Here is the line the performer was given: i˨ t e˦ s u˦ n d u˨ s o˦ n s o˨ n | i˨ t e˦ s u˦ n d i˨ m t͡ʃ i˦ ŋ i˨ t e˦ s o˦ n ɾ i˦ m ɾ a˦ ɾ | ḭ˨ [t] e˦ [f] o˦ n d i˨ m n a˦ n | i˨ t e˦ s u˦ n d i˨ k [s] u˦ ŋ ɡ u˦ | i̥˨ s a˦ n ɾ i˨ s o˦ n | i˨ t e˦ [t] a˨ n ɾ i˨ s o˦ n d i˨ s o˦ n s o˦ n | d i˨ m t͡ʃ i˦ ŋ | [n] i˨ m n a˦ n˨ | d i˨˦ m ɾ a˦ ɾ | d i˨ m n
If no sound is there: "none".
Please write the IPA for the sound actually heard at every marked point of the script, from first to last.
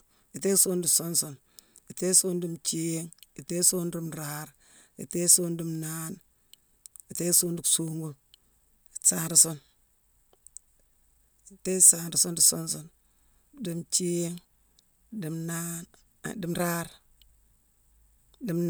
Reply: t, s, s, s, d

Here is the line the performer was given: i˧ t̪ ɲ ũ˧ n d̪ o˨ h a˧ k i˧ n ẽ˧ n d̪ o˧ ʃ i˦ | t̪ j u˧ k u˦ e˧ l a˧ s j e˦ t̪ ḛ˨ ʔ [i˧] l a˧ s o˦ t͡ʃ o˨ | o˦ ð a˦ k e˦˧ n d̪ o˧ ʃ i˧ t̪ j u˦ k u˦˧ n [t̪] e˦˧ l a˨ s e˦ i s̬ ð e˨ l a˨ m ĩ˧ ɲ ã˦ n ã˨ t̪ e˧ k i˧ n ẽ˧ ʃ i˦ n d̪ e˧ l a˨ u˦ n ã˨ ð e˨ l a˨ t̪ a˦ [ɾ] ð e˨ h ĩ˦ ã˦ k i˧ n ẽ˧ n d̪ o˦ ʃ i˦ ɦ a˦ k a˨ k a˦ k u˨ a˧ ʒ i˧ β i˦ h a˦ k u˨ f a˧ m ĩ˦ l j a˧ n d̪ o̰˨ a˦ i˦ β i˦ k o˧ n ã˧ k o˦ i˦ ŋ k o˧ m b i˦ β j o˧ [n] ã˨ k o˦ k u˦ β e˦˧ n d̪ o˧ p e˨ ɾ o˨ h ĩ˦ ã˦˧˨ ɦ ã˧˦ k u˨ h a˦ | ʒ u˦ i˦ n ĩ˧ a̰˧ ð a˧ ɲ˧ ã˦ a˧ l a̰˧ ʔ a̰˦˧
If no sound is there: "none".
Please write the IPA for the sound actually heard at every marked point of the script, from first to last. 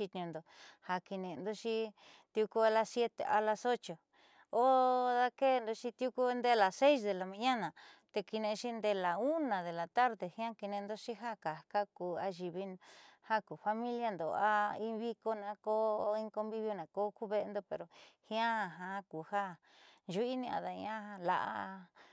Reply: a˧, d̪, ɾ, n

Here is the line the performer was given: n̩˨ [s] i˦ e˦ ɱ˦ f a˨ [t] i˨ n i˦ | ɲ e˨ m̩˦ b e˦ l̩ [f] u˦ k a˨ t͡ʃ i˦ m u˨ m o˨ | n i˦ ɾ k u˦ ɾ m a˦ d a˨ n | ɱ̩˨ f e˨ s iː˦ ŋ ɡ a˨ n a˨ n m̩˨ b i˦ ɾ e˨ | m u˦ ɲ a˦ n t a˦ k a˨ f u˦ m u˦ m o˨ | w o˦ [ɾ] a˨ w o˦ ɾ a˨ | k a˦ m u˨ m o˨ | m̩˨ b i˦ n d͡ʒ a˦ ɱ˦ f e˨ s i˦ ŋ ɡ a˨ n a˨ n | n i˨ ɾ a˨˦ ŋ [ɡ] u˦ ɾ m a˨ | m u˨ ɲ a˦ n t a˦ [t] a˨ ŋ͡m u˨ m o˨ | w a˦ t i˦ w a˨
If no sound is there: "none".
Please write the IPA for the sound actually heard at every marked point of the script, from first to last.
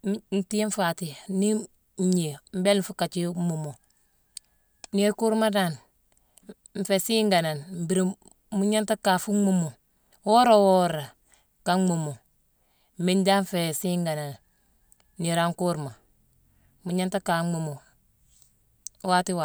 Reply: t, t, f, ɾ, k, k

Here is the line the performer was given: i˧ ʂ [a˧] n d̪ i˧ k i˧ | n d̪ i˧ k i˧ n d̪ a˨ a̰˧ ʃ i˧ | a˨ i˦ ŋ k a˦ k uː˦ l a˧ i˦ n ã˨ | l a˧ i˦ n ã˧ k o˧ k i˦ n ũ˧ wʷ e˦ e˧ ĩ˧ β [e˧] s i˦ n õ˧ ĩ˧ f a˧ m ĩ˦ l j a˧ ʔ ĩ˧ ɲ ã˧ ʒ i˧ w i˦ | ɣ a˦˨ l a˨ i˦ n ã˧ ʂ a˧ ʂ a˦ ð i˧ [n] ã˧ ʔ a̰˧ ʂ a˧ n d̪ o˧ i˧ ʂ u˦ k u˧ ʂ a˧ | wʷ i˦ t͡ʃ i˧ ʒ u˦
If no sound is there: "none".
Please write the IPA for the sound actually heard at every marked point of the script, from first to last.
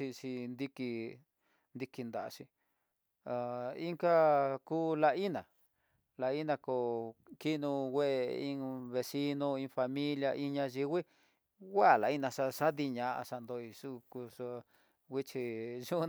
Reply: i˧, e˧, ɲ

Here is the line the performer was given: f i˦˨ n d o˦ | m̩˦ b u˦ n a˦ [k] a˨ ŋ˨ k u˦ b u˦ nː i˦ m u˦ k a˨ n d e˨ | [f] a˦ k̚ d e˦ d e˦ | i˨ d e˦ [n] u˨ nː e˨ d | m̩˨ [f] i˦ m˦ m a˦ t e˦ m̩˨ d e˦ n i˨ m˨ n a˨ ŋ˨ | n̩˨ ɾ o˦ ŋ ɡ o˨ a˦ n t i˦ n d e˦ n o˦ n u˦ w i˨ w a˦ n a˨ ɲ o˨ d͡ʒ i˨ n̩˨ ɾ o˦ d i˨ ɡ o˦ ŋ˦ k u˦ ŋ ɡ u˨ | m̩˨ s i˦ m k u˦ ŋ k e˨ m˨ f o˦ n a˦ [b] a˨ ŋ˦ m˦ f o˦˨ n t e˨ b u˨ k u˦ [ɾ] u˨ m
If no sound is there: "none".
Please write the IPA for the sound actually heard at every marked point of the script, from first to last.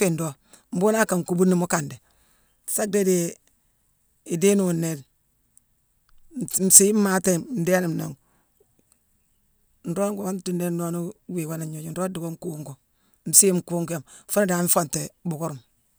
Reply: k, s, n, s, d, ɾ

